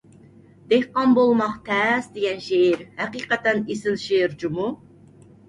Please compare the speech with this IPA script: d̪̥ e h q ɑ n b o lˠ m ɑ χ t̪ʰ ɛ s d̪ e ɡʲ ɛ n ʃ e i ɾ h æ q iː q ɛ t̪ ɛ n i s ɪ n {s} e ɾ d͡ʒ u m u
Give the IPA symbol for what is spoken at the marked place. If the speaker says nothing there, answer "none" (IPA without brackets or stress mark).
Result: ʃ